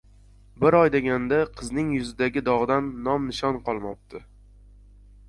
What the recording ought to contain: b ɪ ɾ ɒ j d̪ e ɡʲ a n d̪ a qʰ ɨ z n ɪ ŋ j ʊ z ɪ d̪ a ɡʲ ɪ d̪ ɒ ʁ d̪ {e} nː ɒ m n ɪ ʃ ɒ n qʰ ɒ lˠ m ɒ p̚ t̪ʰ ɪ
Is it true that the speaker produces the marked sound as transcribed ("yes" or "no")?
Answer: no